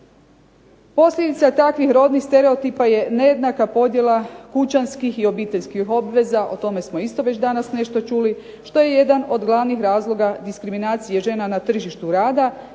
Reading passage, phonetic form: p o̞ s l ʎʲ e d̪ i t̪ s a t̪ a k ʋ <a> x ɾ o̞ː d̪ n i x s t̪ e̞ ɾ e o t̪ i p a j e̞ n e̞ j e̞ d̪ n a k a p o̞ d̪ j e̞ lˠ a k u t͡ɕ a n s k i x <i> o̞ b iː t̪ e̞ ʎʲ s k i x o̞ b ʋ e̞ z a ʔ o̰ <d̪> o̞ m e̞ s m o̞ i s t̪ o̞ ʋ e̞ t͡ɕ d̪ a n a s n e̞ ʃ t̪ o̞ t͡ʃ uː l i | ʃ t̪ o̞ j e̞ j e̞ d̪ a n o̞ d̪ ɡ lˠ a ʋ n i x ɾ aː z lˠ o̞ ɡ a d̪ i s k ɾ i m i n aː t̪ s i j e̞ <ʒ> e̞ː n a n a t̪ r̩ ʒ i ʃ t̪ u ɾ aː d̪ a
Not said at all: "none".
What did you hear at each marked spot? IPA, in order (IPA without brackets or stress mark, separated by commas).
i, i, t̪, ʒ